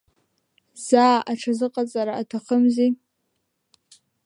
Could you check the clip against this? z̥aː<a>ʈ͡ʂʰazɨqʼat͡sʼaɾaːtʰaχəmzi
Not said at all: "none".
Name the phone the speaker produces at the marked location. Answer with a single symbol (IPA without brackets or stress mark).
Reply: a